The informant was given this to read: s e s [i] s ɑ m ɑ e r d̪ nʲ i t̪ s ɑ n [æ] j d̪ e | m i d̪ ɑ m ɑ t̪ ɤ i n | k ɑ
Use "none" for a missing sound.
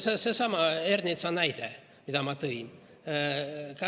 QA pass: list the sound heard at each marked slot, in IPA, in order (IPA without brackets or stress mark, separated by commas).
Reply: e, æ